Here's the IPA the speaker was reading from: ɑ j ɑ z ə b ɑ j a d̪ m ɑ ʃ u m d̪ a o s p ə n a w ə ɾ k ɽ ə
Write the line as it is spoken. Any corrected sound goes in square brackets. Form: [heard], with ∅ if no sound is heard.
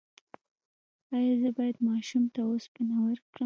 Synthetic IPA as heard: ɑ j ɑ z ə b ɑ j a d̪ m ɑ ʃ u m [t̪] a o s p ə n a w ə ɾ k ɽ ə